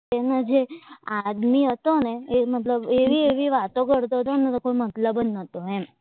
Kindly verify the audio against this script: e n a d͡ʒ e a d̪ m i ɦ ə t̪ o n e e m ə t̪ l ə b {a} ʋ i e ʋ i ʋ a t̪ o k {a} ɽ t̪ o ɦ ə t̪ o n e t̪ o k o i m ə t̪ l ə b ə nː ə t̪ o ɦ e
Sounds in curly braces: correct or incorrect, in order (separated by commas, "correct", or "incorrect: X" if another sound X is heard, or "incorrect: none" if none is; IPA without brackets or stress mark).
incorrect: e, incorrect: ə